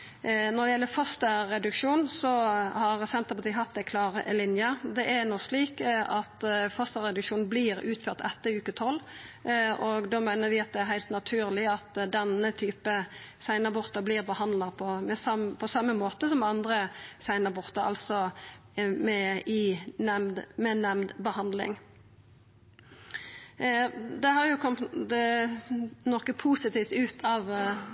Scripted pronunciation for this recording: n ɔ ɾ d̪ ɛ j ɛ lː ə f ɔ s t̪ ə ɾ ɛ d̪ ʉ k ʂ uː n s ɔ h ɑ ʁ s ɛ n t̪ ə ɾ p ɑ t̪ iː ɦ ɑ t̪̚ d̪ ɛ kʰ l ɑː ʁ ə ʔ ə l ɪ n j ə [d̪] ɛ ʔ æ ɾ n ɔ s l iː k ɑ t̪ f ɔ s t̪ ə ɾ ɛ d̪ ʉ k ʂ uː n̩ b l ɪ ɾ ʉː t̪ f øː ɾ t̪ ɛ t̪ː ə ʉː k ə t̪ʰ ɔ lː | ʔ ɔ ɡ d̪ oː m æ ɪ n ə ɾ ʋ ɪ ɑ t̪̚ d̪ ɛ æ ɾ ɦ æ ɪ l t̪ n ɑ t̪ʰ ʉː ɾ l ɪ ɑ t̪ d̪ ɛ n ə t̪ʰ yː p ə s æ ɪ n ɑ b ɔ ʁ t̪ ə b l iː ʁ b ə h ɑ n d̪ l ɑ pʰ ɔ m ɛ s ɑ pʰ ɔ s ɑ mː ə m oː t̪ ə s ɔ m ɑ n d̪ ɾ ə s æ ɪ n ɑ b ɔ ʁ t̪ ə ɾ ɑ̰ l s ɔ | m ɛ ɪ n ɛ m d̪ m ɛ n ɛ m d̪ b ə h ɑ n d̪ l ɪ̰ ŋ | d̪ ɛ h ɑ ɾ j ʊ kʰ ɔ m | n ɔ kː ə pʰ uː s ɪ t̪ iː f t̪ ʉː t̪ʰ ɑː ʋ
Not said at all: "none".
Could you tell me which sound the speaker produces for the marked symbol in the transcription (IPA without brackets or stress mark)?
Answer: d̪